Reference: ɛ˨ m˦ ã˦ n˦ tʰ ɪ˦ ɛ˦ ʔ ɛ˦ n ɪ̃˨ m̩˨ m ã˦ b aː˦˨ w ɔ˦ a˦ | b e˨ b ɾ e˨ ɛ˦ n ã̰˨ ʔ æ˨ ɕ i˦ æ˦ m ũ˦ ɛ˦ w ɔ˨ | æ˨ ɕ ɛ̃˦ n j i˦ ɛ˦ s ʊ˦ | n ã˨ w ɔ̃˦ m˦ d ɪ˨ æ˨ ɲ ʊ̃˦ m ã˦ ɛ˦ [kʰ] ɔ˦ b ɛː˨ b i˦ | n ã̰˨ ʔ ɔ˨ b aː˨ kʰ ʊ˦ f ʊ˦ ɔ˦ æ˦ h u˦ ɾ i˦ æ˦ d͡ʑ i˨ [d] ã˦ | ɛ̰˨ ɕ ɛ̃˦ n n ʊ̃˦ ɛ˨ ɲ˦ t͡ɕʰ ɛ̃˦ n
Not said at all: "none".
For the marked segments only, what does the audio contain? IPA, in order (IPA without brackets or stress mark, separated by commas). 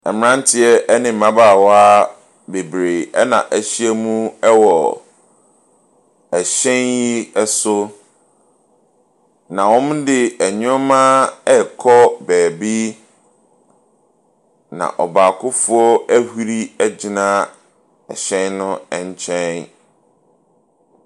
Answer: kʰ, n